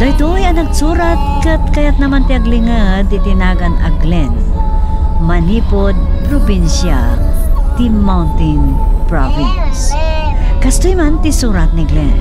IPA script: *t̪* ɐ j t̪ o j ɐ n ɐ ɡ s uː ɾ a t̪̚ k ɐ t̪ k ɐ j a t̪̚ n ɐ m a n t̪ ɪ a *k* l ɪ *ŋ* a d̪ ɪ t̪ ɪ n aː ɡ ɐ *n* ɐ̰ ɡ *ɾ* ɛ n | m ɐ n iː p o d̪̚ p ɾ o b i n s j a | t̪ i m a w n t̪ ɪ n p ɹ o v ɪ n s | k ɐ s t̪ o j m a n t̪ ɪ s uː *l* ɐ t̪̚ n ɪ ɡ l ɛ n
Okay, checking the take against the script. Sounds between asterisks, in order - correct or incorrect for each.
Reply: incorrect: d̪, incorrect: ɡ, correct, correct, incorrect: l, incorrect: ɾ

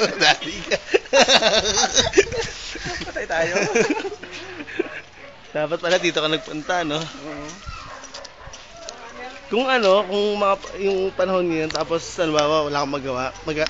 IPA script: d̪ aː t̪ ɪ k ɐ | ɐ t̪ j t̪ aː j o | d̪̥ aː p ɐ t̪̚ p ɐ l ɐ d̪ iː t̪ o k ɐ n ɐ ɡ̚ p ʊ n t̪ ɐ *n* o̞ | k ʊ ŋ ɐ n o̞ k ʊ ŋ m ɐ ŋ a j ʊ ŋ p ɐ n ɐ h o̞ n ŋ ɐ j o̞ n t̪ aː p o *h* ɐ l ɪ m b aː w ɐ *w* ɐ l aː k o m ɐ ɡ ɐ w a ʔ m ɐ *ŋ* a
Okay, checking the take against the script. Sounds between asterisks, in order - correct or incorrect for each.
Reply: correct, incorrect: s, correct, incorrect: ɡ

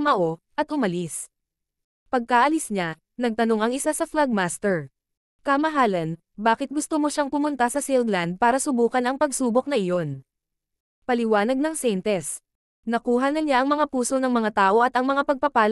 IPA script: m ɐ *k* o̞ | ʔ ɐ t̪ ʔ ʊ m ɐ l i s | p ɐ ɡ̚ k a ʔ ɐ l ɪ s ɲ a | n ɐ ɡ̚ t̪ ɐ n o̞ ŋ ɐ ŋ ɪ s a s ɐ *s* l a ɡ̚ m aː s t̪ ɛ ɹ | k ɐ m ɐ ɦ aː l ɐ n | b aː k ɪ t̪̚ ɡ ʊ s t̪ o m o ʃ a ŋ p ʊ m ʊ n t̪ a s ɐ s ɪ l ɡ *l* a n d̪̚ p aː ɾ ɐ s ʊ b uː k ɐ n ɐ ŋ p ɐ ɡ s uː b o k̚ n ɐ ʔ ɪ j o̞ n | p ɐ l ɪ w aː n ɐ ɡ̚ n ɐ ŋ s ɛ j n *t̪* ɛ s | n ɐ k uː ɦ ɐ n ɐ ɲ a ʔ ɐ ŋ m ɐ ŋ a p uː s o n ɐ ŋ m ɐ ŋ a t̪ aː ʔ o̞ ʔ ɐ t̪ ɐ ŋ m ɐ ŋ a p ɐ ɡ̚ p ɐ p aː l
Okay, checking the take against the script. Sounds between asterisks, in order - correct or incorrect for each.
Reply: incorrect: ʔ, incorrect: f, correct, correct

